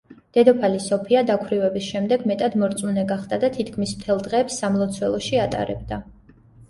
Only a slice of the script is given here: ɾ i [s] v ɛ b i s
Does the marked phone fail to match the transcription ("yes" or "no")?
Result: yes